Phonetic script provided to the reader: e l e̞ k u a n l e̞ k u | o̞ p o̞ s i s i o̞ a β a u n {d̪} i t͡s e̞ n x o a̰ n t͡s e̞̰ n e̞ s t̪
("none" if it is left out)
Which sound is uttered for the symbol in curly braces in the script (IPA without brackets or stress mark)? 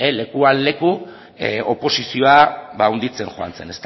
d̪